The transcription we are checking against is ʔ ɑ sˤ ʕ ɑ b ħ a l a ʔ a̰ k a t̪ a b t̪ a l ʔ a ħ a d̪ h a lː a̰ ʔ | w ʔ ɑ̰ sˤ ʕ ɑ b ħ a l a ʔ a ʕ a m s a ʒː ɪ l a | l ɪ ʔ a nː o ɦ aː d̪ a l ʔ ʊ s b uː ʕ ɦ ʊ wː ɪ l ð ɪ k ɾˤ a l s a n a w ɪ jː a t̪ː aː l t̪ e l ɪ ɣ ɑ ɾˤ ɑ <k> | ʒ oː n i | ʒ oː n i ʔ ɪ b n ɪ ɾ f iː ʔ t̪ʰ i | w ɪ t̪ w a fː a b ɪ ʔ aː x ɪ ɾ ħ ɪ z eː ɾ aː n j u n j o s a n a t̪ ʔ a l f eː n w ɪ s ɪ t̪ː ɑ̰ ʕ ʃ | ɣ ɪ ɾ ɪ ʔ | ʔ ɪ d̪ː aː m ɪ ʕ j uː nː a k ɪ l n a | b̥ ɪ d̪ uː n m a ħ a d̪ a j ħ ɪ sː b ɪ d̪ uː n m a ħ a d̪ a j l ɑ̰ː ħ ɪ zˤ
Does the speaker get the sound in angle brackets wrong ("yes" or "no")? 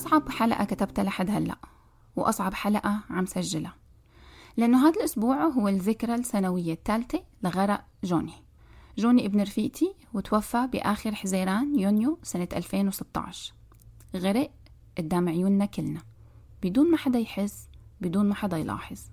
yes